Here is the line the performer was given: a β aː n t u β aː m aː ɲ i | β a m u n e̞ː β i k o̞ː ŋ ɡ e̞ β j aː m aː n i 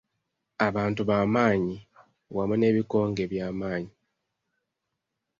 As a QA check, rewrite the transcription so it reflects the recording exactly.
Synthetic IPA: a β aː n t u β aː m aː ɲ i | w a m u n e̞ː β i k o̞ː ŋ ɡ e̞ β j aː m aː ɲ i